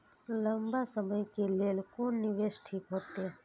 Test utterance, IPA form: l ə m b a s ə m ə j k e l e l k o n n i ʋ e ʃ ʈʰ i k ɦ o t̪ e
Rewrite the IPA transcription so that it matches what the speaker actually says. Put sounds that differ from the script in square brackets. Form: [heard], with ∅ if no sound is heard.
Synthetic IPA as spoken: l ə m b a s ə m ə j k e l e l k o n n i ʋ e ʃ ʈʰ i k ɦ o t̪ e